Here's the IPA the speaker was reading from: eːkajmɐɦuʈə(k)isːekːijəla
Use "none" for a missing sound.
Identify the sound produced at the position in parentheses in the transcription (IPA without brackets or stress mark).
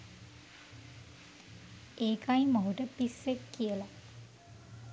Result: p